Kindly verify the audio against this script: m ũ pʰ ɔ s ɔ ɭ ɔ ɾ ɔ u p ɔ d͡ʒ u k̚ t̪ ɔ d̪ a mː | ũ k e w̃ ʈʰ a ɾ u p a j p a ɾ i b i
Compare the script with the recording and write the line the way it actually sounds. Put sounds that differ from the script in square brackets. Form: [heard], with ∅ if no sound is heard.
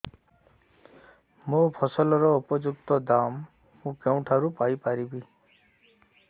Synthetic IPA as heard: m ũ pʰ ɔ s ɔ [l] ɔ ɾ ɔ u p ɔ d͡ʒ u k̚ t̪ ɔ d̪ a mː | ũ k e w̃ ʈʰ a ɾ u p a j p a ɾ i b i

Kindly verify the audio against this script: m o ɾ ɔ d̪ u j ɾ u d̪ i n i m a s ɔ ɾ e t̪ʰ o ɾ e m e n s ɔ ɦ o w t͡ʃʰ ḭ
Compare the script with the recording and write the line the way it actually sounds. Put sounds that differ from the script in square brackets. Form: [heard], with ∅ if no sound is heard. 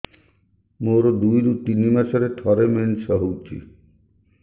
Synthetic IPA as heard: m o ɾ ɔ d̪ u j ɾ u [t̪] i n i m a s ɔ ɾ e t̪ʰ [ɔ] ɾ e m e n s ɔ ɦ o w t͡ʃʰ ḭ

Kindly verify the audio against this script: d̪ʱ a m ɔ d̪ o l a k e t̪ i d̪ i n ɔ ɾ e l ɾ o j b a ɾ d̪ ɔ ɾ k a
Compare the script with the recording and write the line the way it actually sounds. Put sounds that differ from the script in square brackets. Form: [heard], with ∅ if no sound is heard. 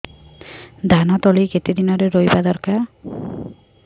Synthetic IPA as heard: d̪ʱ a [n] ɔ [t̪] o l [i] k e t̪ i d̪ i n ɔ ɾ e [∅] ɾ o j b a [∅] d̪ ɔ ɾ k a

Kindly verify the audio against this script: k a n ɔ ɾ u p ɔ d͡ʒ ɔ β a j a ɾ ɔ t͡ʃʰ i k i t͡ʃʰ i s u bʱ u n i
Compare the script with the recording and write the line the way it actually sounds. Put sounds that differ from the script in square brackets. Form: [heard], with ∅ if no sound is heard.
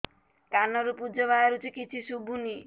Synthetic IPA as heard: k a n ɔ ɾ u p [u] d͡ʒ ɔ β a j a ɾ [u] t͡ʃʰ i k i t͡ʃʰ i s u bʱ u n i

